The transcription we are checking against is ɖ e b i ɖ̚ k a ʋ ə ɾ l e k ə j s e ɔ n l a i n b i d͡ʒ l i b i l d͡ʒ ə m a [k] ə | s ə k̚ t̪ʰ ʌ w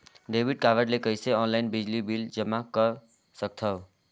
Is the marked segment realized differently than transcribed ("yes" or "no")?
no